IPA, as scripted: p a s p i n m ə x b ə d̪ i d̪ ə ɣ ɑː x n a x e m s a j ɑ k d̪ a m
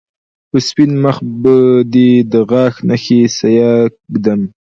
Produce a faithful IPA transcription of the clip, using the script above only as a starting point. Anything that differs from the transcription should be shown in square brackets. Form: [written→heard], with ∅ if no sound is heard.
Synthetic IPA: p [a→ə] s p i n m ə x b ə d̪ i d̪ ə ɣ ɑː x n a x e [m→∅] s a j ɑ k d̪ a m